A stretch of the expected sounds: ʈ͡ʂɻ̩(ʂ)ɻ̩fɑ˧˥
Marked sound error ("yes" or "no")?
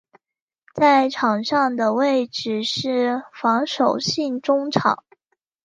no